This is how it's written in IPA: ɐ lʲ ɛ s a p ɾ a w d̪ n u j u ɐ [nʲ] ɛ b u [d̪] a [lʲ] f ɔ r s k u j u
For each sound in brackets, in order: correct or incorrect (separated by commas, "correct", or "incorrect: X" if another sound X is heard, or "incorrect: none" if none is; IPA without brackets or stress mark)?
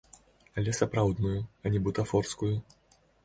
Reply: correct, incorrect: t̪, incorrect: none